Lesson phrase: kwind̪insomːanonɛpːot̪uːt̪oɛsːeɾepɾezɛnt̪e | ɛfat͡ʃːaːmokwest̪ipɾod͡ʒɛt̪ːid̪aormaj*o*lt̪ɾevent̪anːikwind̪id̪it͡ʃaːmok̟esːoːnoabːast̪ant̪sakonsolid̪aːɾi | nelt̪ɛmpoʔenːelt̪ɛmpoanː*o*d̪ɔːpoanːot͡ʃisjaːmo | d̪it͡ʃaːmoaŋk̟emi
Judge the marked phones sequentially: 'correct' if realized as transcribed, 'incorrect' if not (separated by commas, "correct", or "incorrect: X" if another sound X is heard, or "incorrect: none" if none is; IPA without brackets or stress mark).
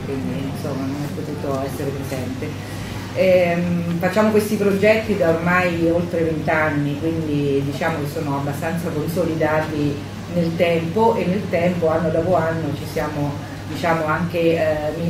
correct, correct